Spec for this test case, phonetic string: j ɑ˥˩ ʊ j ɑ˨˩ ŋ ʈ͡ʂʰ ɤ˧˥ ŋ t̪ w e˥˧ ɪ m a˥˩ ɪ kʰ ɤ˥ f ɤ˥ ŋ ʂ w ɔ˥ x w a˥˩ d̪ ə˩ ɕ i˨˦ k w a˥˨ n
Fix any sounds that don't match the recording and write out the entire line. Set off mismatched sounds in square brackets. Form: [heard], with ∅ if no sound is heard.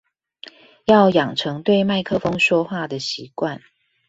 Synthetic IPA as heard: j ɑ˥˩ ʊ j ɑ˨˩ ŋ ʈ͡ʂʰ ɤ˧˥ ŋ t̪ w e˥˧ ɪ m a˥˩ ɪ kʰ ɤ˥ f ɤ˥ ŋ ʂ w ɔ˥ x w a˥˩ d̪ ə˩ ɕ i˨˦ k w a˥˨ n